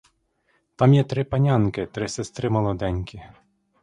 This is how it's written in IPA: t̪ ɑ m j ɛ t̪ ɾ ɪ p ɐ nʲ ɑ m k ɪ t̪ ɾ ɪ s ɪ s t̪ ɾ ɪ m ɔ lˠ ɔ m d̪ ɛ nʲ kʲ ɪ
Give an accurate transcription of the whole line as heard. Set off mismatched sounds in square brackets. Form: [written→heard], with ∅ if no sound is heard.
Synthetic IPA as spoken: t̪ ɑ m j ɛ t̪ ɾ ɪ p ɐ nʲ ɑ [m→n] k ɪ t̪ ɾ ɪ s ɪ s t̪ ɾ ɪ m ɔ lˠ ɔ [m→∅] d̪ ɛ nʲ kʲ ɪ